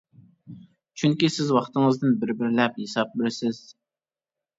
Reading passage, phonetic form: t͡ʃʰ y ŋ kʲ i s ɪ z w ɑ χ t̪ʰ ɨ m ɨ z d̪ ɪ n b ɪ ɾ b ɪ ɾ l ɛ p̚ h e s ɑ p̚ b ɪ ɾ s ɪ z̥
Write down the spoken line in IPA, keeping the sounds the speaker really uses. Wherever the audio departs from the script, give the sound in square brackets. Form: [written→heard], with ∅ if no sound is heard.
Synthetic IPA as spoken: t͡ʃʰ y ŋ kʲ i s ɪ z w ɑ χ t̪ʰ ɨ [m→ŋ] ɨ z d̪ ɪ n b ɪ ɾ b ɪ ɾ l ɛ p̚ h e s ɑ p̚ b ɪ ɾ s ɪ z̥